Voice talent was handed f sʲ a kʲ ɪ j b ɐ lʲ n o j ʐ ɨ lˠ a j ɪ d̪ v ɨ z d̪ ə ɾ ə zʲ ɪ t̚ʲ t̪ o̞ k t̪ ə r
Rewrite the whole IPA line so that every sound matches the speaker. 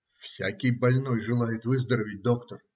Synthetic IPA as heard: f sʲ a kʲ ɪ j b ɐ lʲ n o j ʐ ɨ lˠ a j ɪ t̪ v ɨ z d̪ ə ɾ ə vʲ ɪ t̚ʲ d̪ o̞ k t̪ ə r